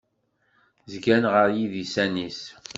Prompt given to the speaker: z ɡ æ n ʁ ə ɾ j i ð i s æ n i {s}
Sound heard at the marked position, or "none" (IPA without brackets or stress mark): s